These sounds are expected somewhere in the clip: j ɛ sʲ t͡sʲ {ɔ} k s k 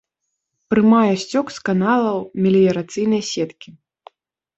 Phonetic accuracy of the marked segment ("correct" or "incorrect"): correct